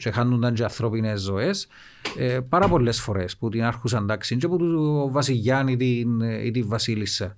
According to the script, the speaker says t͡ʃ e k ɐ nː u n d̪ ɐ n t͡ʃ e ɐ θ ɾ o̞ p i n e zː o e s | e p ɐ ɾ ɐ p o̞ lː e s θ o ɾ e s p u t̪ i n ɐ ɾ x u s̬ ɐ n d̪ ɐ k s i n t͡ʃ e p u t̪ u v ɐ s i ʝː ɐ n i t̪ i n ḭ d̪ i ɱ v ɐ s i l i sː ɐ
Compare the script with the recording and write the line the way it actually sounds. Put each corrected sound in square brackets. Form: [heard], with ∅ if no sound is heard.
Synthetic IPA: t͡ʃ e [x] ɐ nː u n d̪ ɐ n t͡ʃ e ɐ θ ɾ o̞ p i n e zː o e s | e p ɐ ɾ ɐ p o̞ lː e s [f] o ɾ e s p u t̪ i n ɐ ɾ x u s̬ ɐ n d̪ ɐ k s i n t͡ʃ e p u t̪ u v ɐ s i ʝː ɐ n i t̪ i n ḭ [t̪] i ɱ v ɐ s i l i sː ɐ